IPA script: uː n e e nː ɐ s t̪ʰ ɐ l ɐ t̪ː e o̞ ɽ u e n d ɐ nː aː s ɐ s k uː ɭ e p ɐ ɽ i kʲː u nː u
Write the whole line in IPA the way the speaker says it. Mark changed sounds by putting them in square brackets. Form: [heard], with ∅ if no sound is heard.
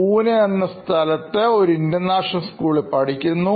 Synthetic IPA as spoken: uː n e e nː ɐ s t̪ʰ ɐ l ɐ t̪ː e o̞ [ɾ] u [i] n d ɐ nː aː [ʂ] ɐ s k uː ɭ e p ɐ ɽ i kʲː u nː u